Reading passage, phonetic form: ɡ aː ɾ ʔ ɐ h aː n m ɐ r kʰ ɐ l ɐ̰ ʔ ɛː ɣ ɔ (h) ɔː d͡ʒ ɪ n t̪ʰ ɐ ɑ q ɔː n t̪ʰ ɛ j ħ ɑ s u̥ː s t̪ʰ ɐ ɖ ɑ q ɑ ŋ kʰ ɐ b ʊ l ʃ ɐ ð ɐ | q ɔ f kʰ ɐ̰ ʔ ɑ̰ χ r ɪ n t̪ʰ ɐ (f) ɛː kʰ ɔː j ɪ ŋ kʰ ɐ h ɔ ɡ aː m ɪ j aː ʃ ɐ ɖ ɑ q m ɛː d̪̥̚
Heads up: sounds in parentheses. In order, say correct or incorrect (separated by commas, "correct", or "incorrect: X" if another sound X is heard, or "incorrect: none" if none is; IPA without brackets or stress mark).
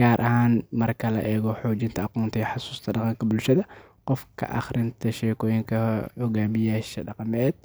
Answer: incorrect: ħ, incorrect: ʃ